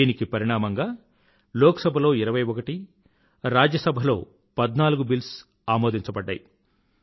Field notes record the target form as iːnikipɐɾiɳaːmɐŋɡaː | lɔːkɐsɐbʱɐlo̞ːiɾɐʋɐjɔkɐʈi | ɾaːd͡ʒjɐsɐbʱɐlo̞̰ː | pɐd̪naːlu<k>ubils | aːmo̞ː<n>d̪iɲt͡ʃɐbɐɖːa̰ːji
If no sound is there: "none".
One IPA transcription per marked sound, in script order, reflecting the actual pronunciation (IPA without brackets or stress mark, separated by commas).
ɡ, none